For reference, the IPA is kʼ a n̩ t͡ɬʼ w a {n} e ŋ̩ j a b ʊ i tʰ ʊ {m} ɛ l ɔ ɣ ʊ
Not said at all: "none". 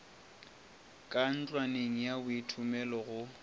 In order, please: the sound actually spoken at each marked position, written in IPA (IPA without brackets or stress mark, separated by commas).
n, m